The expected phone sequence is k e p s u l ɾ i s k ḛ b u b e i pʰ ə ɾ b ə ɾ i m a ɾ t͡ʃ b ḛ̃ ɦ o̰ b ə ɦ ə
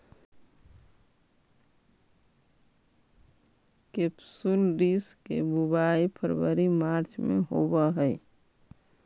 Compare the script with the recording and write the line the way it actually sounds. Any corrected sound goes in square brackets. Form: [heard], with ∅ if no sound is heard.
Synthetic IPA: k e p s u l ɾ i s k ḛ b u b [a] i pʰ ə ɾ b ə ɾ i m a ɾ t͡ʃ [m] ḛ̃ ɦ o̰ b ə ɦ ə